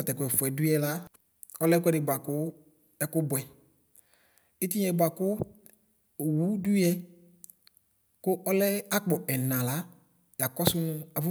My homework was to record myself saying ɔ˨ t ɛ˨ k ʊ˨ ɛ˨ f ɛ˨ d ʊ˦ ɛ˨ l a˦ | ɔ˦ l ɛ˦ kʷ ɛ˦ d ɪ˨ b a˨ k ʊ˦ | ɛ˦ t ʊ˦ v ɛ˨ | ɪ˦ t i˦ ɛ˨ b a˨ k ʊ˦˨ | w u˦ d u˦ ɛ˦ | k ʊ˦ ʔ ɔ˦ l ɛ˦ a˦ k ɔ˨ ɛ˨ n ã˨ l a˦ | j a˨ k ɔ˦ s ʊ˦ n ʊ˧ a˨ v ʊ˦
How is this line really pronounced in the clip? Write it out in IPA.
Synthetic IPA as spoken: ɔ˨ t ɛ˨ k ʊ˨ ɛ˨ f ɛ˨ d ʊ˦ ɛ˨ l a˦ | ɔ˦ l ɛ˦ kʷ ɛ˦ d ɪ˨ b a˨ k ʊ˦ | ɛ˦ k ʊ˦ b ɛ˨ | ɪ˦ t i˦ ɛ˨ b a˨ k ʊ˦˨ | w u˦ d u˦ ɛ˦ | k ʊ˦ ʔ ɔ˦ l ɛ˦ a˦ k͡p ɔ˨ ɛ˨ n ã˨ l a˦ | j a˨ k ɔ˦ s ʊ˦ n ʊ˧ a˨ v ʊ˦